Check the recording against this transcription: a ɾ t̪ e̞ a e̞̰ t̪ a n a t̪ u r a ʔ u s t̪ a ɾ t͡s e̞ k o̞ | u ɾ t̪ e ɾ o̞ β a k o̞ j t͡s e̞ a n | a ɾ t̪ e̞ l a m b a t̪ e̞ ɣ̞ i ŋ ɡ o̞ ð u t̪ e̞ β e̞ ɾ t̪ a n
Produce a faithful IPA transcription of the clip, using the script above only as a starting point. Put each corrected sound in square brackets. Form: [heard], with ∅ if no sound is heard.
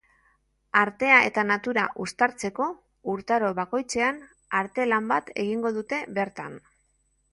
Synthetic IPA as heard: a ɾ t̪ e̞ a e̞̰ t̪ a n a t̪ u [ɾ] a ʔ u s t̪ a ɾ t͡s e̞ k o̞ | u ɾ t̪ [a] ɾ o̞ β a k o̞ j t͡s e̞ a n | a ɾ t̪ e̞ l a m b a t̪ e̞ ɣ̞ i ŋ ɡ o̞ ð u t̪ e̞ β e̞ ɾ t̪ a n